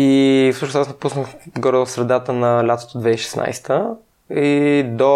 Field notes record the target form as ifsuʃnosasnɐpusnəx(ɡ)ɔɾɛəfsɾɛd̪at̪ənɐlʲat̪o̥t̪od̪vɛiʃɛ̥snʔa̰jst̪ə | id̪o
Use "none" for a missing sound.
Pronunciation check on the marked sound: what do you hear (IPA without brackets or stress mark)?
ɡ